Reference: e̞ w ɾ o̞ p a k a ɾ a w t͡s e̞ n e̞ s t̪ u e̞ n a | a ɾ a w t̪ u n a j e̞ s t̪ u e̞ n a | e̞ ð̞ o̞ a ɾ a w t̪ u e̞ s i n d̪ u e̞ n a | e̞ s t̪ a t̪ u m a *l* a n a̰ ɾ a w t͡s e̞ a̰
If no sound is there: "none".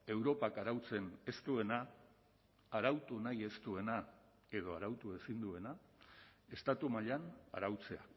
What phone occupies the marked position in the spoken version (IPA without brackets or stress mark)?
ʎ